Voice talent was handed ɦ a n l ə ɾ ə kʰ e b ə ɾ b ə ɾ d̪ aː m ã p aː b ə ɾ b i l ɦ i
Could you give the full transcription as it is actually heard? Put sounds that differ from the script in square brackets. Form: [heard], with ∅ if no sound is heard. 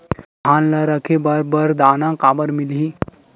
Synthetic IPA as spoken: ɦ a n l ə ɾ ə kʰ e b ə ɾ b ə ɾ d̪ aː [n] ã [k] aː b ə ɾ [m] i l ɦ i